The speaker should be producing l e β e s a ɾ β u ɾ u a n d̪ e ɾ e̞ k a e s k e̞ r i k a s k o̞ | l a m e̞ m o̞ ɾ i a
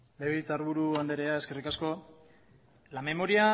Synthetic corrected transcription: l e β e t͡s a ɾ β u ɾ u a n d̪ e ɾ e̞ a e s k e̞ r i k a s k o̞ | l a m e̞ m o̞ ɾ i a